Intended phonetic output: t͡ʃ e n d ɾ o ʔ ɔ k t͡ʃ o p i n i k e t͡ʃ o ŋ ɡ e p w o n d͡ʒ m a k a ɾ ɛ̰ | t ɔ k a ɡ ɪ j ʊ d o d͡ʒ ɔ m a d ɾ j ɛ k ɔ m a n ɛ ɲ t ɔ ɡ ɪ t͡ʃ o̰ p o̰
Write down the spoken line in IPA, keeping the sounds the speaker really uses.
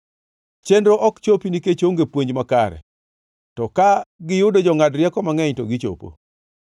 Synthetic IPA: t͡ʃ e n d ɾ o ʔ ɔ k t͡ʃ o p i n i k e t͡ʃ o ŋ ɡ e p w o ɲ d͡ʒ m a k a ɾ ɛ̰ | t ɔ k a ɡ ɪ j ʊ d o d͡ʒ ɔ ŋ a d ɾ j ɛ k ɔ m a ŋ ɛ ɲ t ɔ ɡ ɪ t͡ʃ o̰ p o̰